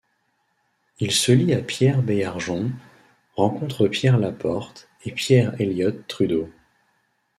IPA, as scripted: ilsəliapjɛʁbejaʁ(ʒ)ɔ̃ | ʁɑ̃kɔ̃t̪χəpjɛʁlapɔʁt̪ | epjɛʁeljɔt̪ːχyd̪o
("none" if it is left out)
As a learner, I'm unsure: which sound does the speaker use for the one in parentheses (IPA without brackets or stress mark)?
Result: ʒ